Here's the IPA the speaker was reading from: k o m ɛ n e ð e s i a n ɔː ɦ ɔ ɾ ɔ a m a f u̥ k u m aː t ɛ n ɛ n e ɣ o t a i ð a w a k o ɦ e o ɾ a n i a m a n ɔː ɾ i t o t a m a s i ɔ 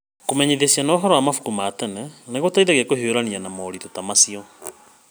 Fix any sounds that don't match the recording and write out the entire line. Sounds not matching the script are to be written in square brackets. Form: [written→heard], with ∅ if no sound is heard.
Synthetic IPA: k o m ɛ [n→ɲ] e ð e s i a n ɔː ɦ ɔ ɾ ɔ a m a f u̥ k u m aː t ɛ n ɛ n e ɣ o t a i ð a [w→ɣ] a k o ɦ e o ɾ a n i a [m→n] a [n→m] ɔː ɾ i t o t a m a s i ɔ